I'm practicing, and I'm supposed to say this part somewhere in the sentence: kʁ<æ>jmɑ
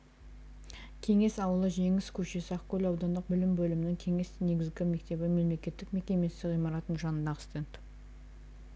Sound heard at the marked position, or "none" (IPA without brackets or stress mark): i